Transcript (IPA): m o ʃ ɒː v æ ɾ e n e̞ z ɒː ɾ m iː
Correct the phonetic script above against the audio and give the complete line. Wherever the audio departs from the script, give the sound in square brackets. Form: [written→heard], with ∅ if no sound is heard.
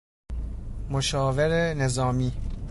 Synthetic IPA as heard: m o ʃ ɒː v [æ→e] ɾ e n e̞ z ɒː [ɾ→∅] m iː